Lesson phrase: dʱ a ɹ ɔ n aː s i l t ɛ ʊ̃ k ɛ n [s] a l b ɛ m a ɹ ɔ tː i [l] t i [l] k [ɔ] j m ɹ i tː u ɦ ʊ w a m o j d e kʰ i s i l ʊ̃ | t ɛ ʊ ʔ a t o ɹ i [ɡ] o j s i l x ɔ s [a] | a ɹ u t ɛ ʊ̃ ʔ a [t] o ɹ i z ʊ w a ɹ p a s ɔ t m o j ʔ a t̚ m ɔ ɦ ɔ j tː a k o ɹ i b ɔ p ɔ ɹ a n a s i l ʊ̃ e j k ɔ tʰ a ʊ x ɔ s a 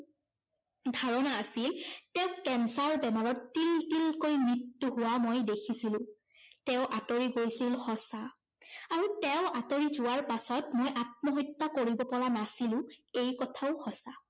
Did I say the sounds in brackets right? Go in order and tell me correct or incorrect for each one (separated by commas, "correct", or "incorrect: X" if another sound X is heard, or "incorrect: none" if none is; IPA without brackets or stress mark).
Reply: correct, correct, correct, incorrect: o, correct, correct, correct